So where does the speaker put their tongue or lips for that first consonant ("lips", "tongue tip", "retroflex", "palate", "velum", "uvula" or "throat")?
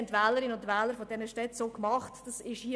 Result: tongue tip